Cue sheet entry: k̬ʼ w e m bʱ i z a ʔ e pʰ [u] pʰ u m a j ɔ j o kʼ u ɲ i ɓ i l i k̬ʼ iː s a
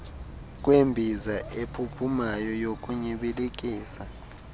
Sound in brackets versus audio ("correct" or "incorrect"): correct